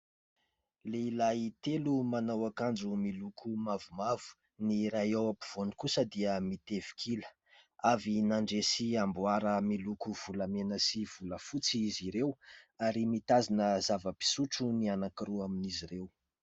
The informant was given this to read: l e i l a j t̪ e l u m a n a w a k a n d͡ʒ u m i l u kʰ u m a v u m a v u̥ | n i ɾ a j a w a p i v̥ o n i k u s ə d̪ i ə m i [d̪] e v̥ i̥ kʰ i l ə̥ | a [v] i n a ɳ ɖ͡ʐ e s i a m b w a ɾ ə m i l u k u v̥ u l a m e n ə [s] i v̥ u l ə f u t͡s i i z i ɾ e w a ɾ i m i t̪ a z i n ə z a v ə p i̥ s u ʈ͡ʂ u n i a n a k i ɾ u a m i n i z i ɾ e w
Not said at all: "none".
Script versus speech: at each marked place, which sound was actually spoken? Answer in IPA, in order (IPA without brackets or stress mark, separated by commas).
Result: t̪, v, s